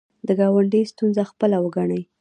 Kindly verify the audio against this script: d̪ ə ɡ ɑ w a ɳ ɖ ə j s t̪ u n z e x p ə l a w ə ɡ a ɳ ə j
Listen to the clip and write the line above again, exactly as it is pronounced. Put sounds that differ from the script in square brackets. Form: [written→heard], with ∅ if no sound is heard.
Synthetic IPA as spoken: d̪ ə ɡ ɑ w a ɳ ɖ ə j s t̪ u n z [e→a] x p ə l a w ə ɡ a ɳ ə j